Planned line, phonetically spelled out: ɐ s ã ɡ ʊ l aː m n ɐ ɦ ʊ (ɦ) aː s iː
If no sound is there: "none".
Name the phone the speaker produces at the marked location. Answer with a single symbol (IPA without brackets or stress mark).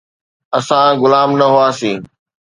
none